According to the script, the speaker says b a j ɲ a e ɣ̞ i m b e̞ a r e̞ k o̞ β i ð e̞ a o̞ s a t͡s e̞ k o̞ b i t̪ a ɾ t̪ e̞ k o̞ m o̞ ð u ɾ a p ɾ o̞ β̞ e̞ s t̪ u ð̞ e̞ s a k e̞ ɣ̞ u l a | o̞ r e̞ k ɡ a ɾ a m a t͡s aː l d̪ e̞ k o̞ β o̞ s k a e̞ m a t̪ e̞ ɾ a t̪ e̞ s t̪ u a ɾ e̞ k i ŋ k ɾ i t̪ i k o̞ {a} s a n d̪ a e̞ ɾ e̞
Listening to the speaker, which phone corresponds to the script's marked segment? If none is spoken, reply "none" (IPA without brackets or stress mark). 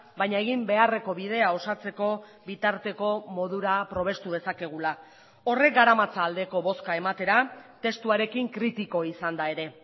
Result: i